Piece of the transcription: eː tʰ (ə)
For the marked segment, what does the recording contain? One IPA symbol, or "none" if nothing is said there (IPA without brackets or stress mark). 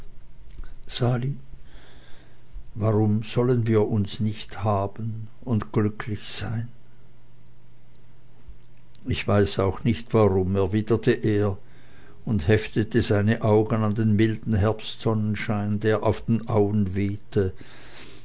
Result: ə